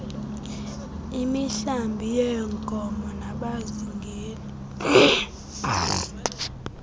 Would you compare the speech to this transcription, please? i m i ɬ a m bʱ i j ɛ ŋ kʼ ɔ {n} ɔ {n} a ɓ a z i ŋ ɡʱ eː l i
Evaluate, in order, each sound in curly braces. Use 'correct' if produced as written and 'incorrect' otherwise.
incorrect, correct

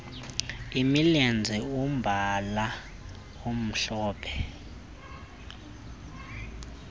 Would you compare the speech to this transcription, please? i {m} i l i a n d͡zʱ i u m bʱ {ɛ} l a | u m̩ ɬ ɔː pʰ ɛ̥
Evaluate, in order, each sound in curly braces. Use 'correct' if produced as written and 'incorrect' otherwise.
correct, incorrect

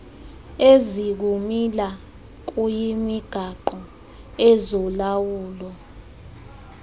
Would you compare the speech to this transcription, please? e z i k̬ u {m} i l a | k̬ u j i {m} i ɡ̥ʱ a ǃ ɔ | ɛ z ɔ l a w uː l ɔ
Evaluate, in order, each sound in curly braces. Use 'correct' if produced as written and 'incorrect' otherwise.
correct, correct

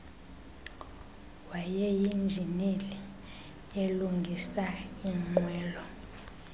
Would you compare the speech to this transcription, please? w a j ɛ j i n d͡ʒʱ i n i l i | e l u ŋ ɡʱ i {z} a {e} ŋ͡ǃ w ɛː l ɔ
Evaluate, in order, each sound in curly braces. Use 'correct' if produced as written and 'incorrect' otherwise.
incorrect, incorrect

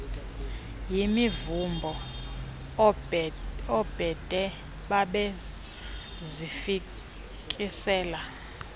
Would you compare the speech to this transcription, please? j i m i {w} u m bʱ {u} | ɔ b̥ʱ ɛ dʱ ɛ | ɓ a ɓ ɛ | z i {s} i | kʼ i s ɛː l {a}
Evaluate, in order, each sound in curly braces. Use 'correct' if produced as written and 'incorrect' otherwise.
incorrect, incorrect, incorrect, correct

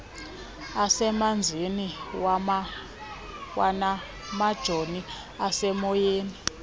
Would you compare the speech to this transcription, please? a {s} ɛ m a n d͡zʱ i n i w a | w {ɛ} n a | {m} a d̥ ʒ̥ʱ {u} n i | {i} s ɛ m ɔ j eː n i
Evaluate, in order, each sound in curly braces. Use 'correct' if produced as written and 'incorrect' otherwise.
correct, incorrect, correct, incorrect, incorrect

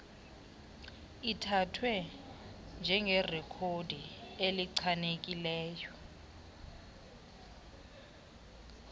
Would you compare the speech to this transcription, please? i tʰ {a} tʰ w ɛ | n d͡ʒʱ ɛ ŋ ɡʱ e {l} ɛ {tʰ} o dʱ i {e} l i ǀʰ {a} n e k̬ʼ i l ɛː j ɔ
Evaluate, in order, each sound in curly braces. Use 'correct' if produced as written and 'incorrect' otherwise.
correct, incorrect, incorrect, correct, correct

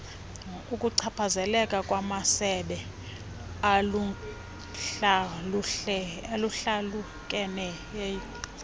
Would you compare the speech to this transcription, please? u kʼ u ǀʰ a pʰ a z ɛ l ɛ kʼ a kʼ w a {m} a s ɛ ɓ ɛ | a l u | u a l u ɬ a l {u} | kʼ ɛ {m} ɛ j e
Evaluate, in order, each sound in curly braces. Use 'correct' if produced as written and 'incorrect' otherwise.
correct, correct, incorrect

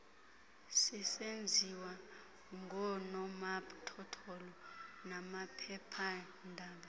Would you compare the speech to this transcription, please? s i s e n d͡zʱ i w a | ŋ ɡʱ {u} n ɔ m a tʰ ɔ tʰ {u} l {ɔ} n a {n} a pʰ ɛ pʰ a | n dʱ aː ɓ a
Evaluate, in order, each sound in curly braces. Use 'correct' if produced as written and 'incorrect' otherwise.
incorrect, incorrect, correct, incorrect

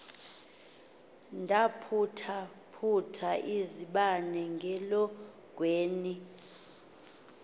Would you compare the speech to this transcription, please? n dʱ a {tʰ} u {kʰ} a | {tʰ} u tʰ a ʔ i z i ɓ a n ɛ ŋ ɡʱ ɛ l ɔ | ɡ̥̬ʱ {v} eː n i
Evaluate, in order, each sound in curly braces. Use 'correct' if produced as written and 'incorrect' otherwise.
incorrect, incorrect, incorrect, incorrect

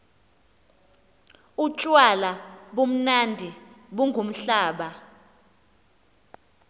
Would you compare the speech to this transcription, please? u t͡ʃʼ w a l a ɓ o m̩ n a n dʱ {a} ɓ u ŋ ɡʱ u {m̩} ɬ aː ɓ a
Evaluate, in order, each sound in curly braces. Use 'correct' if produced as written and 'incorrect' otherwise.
incorrect, correct

